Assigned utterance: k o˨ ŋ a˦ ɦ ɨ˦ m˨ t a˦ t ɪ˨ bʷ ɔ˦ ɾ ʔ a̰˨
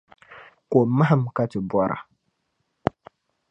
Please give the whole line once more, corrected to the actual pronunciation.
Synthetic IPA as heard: k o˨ m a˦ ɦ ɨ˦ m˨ k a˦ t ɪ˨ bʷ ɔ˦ ɾ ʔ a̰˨